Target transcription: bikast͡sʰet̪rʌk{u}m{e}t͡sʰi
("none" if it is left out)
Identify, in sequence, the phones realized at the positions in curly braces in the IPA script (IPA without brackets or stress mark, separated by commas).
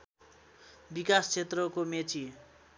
o, e